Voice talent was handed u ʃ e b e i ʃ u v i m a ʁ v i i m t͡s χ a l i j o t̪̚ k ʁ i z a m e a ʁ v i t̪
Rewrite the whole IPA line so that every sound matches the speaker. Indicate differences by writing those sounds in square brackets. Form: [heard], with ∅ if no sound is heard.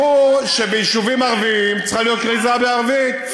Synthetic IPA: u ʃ e b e i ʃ u v i m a ʁ v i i m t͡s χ a l i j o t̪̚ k ʁ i z a [b] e a ʁ v i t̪